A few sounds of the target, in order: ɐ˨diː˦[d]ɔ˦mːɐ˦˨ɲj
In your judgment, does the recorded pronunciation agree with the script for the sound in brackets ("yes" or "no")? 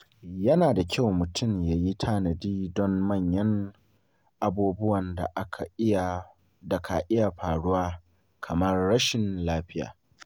yes